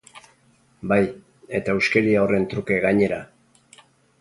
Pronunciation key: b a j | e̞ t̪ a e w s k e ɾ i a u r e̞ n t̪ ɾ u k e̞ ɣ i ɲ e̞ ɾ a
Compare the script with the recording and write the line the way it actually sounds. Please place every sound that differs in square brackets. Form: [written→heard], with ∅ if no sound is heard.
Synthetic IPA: b a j | e̞ t̪ a e w s k e ɾ i a [u→o] r e̞ n t̪ ɾ u k e̞ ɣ [i→a] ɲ e̞ ɾ a